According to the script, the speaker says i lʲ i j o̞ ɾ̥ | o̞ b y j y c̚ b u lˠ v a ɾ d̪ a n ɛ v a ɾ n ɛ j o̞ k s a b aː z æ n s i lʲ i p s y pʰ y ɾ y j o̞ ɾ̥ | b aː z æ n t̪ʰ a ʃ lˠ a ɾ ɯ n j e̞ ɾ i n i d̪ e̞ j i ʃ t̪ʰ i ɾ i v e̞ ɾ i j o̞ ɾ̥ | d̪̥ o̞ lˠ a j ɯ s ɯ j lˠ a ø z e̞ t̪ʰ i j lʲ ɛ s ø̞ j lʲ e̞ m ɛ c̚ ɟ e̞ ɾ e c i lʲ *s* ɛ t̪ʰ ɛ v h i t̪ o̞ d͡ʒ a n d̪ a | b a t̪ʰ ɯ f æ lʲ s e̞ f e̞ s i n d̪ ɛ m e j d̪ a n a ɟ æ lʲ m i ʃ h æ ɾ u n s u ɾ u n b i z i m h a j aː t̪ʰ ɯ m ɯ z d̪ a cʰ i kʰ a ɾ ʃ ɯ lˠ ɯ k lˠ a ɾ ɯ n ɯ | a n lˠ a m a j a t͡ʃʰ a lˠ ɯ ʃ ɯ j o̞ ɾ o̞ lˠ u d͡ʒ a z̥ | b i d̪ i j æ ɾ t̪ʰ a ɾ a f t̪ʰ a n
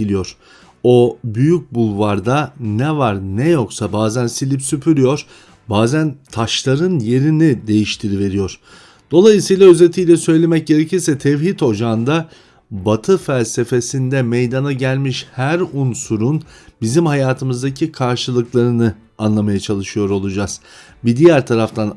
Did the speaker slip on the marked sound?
no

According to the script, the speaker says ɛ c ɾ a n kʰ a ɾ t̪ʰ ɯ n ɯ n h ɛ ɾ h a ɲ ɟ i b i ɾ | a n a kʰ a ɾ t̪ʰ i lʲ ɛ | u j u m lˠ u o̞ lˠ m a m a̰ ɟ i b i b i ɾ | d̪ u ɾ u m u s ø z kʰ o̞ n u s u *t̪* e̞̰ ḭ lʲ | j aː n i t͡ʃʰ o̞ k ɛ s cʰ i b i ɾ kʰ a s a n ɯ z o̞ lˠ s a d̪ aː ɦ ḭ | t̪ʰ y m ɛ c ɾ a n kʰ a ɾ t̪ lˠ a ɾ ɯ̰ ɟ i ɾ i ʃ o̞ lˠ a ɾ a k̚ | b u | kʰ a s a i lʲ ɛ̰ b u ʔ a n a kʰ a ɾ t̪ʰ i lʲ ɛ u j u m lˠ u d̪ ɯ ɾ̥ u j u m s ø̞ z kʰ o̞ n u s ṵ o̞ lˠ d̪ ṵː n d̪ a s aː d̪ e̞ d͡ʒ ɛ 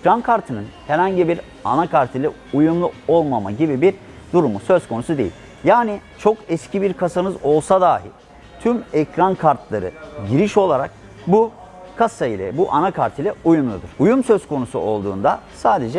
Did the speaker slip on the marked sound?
yes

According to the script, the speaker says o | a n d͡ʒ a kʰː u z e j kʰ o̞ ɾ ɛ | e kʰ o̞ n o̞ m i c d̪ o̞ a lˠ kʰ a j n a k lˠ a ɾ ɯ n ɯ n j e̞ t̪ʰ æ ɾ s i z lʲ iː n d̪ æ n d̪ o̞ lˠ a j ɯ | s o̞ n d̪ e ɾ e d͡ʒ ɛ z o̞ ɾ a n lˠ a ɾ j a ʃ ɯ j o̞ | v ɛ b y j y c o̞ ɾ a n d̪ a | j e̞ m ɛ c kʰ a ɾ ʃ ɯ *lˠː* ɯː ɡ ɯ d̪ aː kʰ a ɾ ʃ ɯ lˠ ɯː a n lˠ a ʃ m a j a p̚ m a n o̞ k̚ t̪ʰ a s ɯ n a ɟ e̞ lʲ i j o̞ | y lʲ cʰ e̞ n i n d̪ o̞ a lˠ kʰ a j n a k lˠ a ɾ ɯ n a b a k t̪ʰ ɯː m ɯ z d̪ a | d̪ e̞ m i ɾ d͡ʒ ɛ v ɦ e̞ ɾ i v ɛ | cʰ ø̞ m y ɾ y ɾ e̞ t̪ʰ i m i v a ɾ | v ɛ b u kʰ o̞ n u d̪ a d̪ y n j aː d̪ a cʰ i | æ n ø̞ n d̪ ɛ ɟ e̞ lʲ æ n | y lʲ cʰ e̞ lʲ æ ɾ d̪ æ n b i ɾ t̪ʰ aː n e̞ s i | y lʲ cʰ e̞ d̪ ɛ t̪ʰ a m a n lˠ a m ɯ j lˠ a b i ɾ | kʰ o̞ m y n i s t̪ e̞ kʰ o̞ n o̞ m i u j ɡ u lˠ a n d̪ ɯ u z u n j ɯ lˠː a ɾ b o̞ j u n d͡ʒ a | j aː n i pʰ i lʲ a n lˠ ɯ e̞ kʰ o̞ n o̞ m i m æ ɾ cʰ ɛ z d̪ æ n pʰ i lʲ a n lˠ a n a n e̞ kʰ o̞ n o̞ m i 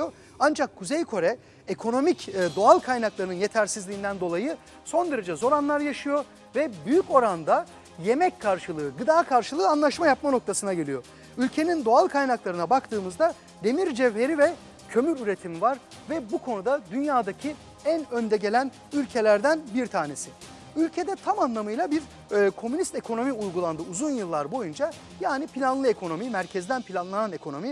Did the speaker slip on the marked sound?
yes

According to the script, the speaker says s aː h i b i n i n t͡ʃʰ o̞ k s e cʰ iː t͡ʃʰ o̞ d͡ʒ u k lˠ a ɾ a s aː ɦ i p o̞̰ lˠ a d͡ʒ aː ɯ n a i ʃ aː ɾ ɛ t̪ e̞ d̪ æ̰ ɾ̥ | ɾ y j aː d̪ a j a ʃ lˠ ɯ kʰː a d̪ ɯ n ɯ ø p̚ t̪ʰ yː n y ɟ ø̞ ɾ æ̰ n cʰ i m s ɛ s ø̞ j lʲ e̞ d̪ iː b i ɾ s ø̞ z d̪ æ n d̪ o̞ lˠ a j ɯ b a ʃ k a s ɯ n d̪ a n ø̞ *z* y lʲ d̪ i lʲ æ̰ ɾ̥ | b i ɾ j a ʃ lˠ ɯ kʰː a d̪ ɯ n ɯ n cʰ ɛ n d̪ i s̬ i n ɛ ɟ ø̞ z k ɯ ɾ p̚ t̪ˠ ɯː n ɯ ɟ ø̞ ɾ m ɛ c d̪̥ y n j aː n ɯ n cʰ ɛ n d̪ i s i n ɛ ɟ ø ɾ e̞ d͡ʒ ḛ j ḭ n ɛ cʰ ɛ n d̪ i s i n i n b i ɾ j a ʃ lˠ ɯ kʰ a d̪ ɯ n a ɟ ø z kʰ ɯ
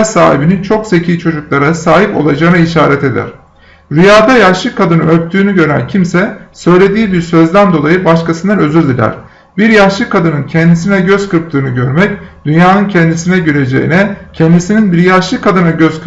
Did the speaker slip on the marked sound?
no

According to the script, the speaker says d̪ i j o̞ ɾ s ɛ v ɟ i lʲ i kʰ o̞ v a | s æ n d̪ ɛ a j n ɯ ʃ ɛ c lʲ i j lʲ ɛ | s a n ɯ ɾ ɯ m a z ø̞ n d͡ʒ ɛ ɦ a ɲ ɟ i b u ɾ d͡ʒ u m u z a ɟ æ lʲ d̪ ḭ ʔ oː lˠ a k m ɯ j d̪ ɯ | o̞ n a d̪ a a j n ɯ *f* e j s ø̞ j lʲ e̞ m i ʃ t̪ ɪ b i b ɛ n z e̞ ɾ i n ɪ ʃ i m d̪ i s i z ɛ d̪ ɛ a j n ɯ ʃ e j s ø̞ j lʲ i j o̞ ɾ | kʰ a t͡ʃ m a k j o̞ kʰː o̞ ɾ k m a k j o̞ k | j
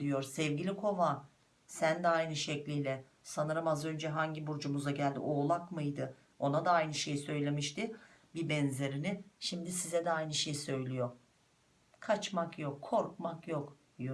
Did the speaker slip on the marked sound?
yes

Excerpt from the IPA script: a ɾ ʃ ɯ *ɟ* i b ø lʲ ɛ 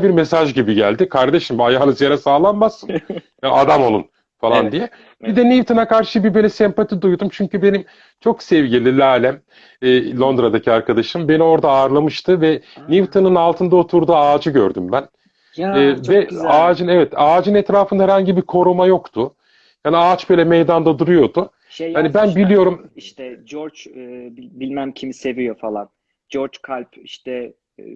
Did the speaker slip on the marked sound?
yes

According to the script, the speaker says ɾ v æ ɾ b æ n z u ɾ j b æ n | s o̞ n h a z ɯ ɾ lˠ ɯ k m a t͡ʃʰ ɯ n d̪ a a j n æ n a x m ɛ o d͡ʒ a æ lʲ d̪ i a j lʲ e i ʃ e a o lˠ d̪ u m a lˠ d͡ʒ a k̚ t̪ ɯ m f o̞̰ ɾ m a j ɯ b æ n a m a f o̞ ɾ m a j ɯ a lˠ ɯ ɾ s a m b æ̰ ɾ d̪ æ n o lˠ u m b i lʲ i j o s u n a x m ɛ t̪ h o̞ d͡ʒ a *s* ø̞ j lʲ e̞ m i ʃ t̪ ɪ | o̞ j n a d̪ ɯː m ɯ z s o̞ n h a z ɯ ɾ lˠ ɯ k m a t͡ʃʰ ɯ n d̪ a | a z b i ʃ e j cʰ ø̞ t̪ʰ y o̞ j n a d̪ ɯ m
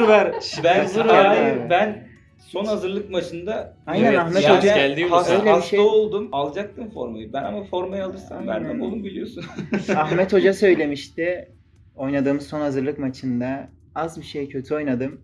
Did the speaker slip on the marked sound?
no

